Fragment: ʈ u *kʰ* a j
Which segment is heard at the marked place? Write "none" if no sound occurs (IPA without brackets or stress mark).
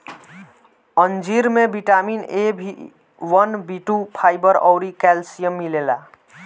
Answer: pʰ